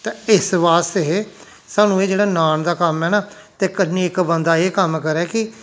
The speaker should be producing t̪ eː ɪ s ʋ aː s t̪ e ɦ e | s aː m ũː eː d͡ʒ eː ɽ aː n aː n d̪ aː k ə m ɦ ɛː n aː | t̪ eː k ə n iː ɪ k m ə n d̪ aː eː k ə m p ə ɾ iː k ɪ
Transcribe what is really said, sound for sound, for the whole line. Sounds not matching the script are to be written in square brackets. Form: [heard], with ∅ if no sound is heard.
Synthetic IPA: t̪ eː ɪ s ʋ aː s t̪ e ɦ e | s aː [n] ũː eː d͡ʒ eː ɽ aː n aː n d̪ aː k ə m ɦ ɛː n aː | t̪ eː k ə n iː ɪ k [b] ə n d̪ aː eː k ə m [k] ə ɾ [ɛː] k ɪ